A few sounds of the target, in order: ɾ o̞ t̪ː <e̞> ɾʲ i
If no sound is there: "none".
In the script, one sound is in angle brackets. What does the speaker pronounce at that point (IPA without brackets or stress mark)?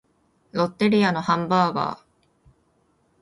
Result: e̞